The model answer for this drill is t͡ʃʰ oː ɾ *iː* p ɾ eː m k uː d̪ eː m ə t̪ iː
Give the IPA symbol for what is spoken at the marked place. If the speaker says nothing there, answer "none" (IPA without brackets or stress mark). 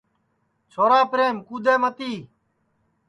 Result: aː